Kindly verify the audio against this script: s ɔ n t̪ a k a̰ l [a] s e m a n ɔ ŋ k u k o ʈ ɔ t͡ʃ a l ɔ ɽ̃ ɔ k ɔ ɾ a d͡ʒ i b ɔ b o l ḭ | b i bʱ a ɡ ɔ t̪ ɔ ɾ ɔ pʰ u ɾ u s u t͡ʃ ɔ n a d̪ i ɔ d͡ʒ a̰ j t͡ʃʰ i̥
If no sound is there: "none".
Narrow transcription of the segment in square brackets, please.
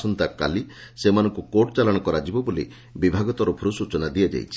i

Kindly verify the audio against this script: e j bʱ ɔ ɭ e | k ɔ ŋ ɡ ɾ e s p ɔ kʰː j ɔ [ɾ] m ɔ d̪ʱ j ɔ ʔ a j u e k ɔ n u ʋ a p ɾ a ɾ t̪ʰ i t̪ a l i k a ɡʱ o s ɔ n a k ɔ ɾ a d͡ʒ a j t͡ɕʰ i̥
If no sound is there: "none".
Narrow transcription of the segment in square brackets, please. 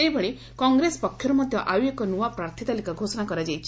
ɾ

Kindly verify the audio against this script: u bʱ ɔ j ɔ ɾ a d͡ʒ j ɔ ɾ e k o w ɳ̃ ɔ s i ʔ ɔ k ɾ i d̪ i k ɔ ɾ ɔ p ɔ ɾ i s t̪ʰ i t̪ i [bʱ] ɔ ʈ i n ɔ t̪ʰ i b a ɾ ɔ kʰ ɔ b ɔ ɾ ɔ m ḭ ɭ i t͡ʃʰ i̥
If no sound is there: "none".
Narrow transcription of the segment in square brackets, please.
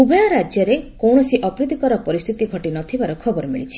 ɡʱ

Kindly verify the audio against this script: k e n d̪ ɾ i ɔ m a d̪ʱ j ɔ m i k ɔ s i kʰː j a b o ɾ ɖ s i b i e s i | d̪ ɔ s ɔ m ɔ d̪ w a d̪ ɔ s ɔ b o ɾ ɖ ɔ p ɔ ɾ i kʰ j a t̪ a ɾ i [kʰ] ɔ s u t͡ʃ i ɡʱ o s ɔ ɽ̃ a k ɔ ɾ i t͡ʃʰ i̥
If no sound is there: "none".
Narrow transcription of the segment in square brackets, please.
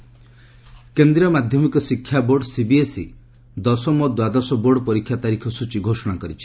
kʰ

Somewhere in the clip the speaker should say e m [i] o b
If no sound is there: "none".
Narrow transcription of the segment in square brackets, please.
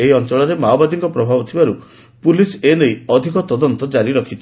a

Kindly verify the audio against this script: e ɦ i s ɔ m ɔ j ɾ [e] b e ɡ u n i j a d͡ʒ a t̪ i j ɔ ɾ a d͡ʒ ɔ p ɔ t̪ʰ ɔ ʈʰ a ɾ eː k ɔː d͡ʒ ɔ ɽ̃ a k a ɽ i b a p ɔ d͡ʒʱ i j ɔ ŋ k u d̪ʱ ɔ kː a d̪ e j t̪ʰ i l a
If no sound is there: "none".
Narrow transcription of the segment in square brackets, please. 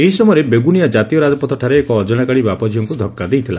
e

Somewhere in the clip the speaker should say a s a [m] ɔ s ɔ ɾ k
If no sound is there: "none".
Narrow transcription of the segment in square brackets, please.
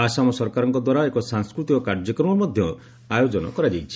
m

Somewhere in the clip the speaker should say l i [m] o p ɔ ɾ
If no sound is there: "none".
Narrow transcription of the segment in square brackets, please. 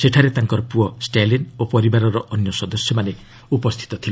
n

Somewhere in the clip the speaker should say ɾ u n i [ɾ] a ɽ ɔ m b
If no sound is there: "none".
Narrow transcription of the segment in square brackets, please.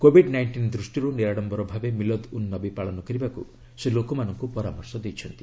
ɾ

